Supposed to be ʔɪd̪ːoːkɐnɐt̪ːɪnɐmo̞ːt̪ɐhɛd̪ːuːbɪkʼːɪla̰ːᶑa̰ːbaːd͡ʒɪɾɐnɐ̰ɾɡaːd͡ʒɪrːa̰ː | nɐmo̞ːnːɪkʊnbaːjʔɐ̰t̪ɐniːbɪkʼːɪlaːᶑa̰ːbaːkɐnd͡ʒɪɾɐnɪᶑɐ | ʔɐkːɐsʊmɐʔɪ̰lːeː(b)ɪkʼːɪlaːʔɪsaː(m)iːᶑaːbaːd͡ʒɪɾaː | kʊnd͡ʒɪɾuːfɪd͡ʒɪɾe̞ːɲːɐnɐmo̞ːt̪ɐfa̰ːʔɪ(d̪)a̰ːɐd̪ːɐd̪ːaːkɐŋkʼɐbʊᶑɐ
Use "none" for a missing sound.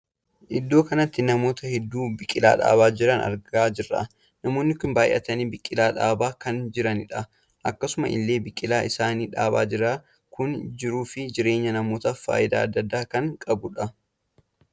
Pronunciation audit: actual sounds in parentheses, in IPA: b, n, d̪

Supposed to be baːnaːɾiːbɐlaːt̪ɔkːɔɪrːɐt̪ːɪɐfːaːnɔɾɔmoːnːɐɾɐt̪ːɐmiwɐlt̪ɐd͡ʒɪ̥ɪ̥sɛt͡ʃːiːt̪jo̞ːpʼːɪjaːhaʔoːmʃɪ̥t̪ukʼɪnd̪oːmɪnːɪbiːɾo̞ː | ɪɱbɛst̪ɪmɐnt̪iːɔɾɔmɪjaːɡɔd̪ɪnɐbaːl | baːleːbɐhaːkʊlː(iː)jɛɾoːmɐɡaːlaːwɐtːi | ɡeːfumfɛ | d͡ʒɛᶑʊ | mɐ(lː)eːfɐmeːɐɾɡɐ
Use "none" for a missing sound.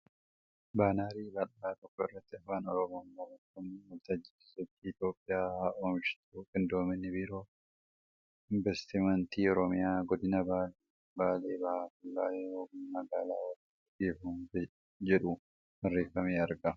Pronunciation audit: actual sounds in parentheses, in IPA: aː, rː

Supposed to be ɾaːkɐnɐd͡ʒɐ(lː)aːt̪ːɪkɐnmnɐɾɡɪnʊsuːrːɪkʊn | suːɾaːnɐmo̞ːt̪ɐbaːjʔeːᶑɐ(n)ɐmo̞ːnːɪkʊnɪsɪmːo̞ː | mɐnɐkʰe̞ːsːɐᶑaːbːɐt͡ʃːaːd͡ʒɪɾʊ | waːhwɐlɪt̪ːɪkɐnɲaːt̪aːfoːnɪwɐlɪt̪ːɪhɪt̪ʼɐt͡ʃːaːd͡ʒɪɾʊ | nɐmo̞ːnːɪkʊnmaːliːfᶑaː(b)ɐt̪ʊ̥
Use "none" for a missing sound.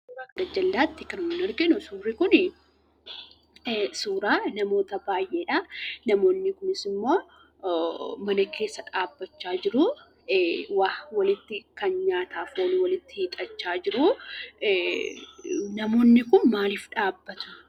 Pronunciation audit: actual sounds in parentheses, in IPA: lː, n, bː

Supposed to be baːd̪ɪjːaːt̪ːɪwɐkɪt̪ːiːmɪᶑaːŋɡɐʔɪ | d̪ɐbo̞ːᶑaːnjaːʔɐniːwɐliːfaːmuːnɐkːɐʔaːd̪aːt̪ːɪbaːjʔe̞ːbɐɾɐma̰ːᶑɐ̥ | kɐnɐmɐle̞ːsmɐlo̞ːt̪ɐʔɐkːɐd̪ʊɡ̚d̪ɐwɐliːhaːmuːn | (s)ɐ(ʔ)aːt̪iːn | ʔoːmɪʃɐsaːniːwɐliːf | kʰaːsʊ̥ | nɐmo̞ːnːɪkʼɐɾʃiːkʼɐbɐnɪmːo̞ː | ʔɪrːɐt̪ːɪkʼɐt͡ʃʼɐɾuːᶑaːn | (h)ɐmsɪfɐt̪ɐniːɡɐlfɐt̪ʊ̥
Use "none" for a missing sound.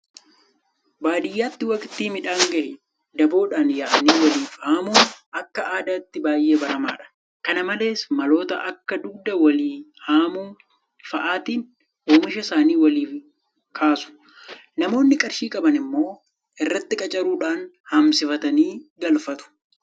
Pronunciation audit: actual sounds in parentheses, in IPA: f, ʔ, h

